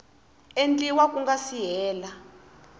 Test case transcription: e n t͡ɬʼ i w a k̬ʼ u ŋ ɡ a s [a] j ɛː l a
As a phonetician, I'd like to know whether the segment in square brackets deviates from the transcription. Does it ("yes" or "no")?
yes